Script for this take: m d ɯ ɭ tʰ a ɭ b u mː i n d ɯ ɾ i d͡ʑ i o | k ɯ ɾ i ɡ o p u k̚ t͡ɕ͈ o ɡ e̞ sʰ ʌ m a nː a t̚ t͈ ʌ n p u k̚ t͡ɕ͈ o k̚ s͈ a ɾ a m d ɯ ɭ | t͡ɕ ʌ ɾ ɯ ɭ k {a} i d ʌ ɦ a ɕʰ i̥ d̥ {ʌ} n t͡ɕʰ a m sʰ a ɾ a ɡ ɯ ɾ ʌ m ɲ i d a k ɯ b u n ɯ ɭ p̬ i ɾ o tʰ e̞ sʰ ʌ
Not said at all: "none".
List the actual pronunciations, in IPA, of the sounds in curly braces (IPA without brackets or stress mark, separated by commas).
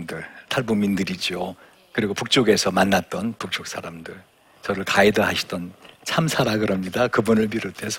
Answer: a, ʌ